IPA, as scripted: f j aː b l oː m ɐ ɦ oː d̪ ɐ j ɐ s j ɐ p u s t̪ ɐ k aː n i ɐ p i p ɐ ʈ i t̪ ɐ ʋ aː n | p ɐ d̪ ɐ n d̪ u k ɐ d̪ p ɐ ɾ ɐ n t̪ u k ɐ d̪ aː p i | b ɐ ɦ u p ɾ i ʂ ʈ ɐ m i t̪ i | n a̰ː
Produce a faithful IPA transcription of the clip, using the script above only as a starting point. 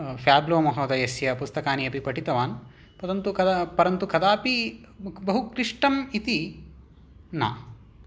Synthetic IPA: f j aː b l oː m ɐ ɦ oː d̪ ɐ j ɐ s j ɐ p u s t̪ ɐ k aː n i ɐ p i p ɐ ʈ i t̪ ɐ ʋ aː n | p ɐ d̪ ɐ n t̪ u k ɐ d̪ p ɐ ɾ ɐ n t̪ u k ɐ d̪ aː p i | b ɐ ɦ u k ɾ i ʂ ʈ ɐ m i t̪ i | n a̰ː